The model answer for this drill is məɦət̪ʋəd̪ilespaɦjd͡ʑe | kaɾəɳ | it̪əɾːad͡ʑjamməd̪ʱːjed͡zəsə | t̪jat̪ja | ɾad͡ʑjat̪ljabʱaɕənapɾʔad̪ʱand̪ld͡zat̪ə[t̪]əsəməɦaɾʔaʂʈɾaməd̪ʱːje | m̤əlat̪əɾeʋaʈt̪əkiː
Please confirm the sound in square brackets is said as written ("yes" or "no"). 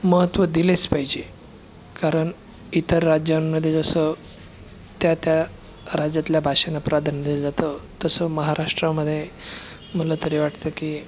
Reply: yes